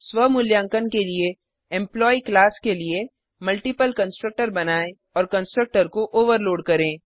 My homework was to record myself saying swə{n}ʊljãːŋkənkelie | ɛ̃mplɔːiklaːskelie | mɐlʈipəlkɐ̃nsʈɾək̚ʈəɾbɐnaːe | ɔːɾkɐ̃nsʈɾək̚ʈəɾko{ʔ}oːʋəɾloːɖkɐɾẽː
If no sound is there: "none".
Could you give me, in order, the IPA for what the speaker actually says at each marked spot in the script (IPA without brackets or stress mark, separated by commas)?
m, ʔ